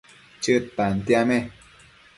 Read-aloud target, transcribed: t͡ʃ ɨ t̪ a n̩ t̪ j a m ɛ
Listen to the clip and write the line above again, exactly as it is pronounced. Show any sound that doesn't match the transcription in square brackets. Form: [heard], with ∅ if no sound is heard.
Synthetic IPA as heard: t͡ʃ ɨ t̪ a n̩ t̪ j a m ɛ